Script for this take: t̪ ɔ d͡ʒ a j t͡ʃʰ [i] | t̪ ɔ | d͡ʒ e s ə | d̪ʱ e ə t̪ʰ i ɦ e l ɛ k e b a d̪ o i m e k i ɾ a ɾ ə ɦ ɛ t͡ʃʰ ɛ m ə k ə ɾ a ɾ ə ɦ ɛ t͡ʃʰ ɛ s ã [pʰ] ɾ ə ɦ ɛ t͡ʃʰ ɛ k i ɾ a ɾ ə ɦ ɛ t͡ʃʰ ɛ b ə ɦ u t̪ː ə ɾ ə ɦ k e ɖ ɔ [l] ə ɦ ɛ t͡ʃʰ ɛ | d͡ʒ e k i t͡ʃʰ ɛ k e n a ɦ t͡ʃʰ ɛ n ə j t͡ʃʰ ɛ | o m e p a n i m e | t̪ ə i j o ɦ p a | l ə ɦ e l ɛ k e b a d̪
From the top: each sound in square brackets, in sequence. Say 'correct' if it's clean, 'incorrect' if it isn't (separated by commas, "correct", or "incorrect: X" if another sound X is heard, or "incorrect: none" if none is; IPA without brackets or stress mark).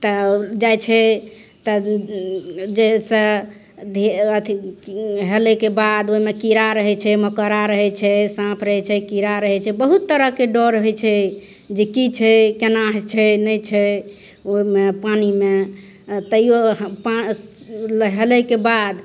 incorrect: ɛ, correct, incorrect: ɾ